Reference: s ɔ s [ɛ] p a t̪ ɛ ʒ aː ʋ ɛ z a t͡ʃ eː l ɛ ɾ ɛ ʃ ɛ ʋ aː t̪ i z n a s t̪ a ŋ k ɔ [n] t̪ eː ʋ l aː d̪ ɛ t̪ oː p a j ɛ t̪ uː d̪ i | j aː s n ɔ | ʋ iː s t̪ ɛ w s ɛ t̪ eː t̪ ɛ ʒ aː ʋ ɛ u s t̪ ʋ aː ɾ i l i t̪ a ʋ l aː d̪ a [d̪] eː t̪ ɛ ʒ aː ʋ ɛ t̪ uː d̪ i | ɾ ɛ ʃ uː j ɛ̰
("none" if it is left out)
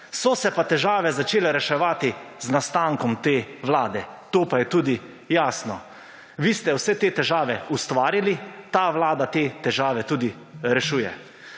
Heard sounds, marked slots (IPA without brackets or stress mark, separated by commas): ɛ, m, t̪